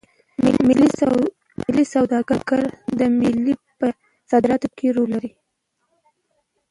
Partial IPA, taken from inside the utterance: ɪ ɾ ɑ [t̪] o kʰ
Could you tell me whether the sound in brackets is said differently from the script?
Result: no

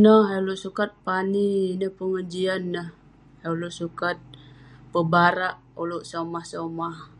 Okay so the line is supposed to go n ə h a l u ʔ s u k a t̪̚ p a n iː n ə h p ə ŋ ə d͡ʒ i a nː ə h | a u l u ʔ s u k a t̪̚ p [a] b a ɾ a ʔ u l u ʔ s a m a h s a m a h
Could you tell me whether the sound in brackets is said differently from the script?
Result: yes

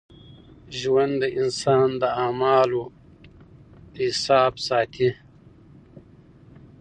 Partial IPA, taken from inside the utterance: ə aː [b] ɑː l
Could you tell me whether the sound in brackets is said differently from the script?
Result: yes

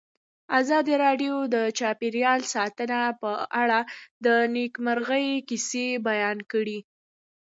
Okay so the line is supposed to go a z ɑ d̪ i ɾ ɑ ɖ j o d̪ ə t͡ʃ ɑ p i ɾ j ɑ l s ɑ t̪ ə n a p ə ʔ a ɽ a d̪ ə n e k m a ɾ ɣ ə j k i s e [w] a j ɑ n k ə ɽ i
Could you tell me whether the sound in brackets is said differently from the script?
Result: yes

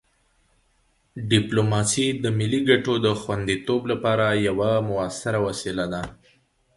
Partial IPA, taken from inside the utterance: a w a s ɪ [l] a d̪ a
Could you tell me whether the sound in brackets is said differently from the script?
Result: no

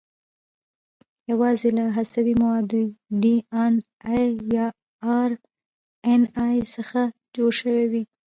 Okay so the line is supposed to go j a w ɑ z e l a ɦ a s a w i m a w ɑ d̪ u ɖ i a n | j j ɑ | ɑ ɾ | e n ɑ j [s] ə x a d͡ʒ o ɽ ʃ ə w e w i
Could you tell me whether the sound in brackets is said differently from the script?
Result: no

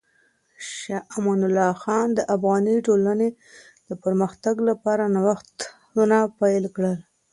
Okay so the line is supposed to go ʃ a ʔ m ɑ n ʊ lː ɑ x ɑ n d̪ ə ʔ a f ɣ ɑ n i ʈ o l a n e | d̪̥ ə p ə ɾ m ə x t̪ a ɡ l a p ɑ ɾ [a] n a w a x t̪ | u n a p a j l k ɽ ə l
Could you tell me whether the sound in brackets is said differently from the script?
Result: no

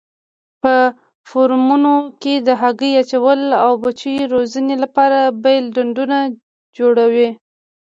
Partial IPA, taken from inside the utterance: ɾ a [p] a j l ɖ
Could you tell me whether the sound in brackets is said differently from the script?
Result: yes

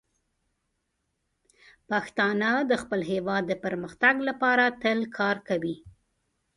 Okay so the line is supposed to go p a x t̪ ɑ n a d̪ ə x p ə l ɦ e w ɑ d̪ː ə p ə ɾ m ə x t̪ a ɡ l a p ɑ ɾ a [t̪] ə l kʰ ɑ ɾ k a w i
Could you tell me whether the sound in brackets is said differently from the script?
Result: no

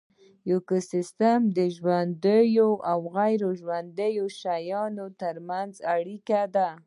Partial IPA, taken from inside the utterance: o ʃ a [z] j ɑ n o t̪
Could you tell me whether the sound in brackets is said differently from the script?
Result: yes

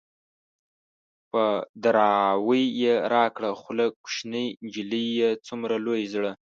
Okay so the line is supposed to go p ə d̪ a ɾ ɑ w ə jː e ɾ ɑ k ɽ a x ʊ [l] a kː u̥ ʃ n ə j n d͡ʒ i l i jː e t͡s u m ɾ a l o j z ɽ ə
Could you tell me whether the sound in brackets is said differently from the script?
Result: no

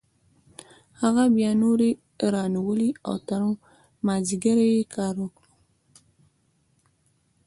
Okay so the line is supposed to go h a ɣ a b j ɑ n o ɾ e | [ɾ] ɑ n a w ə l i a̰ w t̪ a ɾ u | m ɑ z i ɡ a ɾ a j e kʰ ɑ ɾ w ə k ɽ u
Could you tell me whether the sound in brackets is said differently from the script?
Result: no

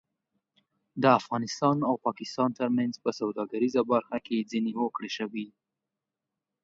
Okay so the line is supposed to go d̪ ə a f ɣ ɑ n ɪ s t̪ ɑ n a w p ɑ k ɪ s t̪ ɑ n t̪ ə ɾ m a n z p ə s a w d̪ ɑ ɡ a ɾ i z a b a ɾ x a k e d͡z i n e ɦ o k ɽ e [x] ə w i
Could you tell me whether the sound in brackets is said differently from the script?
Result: yes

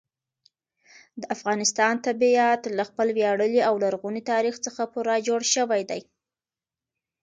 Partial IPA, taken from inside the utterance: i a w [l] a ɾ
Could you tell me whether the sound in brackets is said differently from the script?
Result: no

